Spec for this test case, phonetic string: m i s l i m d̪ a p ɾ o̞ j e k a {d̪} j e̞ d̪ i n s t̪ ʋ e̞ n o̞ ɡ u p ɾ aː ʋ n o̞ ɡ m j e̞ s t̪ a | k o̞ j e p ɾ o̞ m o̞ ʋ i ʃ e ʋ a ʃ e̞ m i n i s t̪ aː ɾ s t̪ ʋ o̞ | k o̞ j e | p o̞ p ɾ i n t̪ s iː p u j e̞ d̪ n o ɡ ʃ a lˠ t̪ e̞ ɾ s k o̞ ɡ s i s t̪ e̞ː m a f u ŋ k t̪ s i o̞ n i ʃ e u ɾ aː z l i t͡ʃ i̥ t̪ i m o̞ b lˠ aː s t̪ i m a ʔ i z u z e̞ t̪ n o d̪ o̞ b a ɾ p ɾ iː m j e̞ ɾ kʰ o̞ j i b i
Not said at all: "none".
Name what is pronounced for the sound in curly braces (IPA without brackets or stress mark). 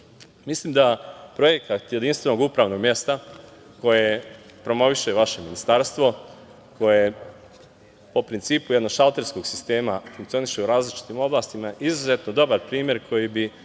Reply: t̪